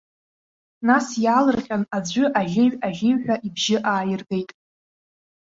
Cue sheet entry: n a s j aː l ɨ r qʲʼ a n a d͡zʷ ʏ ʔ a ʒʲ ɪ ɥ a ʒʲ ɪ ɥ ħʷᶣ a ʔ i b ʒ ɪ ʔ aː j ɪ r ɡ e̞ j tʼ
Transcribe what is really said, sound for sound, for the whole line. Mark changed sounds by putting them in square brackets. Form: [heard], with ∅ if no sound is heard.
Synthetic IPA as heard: n a s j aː l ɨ r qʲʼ a n a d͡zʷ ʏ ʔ a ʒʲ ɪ ɥ a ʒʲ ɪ ɥ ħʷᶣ a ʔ i b ʒ ɪ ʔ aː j ɪ r ɡ e̞ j tʼ

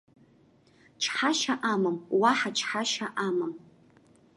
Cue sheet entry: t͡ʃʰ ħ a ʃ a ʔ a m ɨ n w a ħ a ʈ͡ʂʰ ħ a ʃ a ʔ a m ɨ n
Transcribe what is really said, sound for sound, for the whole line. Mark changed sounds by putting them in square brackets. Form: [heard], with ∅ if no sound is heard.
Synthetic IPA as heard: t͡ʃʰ ħ a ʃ a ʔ a m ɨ [m] w a ħ a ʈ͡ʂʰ ħ a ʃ a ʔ a m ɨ [m]

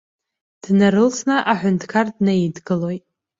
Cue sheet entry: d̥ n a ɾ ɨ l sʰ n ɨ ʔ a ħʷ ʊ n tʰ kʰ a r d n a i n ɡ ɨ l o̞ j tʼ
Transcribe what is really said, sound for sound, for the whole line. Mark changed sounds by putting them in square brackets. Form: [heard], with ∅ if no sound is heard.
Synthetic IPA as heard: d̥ n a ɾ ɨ l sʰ n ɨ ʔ a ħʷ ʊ n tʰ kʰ a r d n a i [d] ɡ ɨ l o̞ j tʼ

